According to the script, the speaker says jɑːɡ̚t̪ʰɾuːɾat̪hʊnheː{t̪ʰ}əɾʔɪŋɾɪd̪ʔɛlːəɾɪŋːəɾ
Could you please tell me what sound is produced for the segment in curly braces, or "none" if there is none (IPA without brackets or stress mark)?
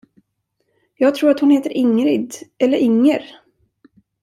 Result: t̪